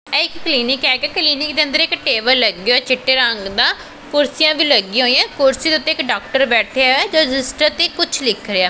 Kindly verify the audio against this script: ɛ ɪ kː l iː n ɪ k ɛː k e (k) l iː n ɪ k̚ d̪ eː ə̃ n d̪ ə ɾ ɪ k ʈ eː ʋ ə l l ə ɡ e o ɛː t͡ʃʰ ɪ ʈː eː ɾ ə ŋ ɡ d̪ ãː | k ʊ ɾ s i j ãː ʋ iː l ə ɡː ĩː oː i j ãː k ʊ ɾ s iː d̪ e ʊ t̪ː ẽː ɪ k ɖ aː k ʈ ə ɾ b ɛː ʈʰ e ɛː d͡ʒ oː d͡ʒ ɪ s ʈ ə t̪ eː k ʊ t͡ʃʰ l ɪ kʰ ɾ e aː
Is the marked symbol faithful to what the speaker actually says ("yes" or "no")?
yes